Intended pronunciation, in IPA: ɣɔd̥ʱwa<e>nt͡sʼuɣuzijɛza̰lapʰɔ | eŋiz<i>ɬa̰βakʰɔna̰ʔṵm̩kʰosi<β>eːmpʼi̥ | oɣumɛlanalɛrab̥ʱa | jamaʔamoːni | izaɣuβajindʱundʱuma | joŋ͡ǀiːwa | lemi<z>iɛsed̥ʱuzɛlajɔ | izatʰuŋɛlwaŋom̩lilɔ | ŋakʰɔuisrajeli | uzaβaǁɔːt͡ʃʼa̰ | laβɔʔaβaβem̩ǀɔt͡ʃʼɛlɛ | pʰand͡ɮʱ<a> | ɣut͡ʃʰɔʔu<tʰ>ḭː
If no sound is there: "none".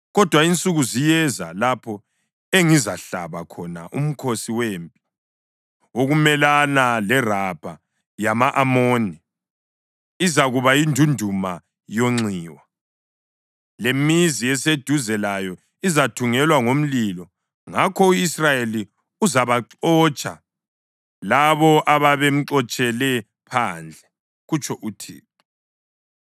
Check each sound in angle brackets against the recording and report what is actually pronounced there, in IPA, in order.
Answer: i, a, w, z, ɛ, tʰ

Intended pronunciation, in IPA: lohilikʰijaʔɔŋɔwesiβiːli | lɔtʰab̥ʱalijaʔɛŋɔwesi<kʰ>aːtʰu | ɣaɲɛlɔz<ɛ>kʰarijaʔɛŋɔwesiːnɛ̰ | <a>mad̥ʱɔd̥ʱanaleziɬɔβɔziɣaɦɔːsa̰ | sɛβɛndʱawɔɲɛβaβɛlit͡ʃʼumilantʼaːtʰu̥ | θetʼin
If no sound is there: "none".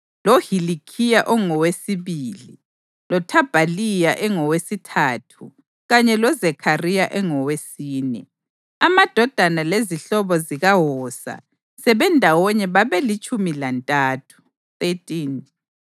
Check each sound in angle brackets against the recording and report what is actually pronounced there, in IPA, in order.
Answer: tʰ, ɛ, a

